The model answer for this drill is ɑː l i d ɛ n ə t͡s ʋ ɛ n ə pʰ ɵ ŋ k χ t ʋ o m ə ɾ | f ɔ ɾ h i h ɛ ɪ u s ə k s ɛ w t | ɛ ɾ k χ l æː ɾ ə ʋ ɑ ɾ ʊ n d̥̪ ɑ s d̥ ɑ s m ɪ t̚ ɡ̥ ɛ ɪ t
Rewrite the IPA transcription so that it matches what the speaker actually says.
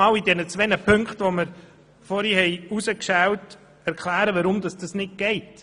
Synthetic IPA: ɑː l i d ɛ n ə t͡s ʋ ɛ n ə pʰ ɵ ŋ k χ t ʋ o m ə ɾ | f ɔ ɾ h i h ɛ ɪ u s ə k ʃ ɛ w t | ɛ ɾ k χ l æː ɾ ə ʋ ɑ ɾ ʊ m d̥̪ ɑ s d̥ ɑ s n ɪ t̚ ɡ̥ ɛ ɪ t